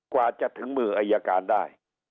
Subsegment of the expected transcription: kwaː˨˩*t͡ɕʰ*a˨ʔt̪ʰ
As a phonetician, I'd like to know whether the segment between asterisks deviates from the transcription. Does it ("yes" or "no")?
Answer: yes